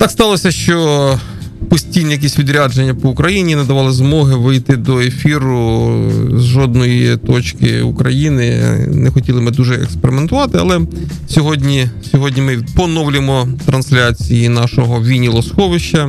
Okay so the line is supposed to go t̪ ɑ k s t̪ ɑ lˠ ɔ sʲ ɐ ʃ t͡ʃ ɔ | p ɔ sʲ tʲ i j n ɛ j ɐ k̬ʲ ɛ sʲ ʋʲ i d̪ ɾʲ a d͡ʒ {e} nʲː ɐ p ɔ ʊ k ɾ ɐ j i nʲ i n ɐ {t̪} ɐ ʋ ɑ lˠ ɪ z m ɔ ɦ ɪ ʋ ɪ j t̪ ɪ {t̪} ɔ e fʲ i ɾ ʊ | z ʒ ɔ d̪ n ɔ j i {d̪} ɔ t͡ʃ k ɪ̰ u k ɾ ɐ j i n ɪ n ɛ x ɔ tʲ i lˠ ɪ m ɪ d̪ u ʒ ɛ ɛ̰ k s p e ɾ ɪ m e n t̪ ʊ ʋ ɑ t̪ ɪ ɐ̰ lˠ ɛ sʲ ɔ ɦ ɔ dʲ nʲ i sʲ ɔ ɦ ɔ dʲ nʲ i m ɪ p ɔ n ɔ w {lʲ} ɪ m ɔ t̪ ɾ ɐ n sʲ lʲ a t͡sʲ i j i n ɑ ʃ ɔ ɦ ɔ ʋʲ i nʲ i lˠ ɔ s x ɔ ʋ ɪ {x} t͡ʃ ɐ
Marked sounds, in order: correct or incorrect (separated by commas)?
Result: correct, incorrect, incorrect, incorrect, correct, incorrect